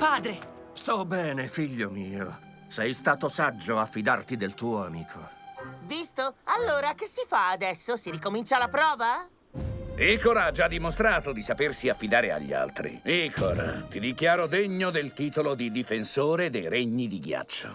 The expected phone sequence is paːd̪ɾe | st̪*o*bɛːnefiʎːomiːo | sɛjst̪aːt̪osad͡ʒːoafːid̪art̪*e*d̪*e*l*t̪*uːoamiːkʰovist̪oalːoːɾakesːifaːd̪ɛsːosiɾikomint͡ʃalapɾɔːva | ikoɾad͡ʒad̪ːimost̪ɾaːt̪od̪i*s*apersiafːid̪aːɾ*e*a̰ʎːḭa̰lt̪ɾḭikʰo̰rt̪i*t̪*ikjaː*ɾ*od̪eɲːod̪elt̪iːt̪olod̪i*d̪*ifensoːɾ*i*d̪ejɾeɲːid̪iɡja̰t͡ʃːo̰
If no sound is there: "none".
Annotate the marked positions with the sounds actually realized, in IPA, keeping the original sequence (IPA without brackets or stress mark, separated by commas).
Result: ɔ, i, e, t̪, s, e, d̪, ɾ, d̪, e